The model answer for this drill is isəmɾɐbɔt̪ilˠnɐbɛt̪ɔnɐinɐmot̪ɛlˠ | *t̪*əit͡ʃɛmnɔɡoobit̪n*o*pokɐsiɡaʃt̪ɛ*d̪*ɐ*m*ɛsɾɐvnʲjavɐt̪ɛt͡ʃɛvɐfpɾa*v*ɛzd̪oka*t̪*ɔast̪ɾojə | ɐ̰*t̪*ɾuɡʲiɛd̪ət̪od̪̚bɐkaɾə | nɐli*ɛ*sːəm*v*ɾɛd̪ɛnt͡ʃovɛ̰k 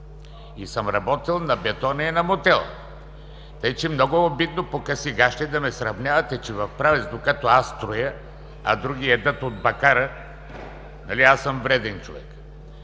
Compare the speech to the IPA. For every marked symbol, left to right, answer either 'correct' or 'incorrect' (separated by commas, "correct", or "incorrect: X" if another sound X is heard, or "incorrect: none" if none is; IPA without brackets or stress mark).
correct, correct, correct, correct, correct, correct, incorrect: d̪, incorrect: a, correct